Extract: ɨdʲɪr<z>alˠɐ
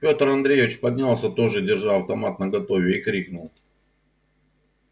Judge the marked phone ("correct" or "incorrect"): incorrect